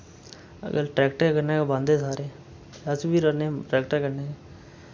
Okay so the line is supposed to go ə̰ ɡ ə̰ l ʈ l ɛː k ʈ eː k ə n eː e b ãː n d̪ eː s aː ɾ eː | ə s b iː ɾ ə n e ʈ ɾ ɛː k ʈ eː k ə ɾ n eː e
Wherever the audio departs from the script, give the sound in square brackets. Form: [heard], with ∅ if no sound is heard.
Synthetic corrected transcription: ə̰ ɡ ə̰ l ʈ [ɾ] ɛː k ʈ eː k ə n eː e b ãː n d̪ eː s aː ɾ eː | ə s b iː ɾ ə n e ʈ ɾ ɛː k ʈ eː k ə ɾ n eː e